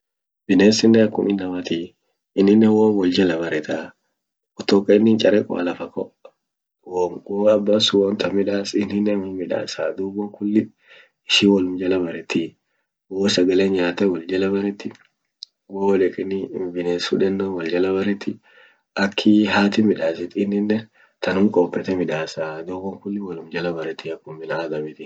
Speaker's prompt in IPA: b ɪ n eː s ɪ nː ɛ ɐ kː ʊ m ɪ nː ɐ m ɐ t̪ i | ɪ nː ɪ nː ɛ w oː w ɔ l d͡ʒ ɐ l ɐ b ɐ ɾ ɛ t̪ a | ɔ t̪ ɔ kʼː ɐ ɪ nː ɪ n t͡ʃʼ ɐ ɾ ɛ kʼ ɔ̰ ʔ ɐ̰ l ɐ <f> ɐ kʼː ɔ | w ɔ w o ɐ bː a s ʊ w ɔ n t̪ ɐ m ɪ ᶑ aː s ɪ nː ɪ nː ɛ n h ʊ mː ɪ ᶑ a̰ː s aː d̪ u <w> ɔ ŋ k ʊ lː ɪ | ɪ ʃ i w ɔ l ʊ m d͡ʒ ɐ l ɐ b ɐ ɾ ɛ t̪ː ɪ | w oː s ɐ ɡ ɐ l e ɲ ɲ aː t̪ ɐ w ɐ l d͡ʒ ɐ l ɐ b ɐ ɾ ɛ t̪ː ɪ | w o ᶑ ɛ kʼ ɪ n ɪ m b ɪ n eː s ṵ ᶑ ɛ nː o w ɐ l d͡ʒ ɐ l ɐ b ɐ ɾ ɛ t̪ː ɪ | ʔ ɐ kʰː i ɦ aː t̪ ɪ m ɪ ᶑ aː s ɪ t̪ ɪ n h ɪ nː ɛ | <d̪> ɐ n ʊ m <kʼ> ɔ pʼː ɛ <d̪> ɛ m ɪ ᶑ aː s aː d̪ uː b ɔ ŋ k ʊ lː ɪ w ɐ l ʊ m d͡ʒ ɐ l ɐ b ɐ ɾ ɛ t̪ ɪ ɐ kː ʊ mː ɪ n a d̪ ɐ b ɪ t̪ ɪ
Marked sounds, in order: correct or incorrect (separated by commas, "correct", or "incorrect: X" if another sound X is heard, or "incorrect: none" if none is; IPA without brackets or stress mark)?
correct, incorrect: b, incorrect: t̪, correct, incorrect: t̪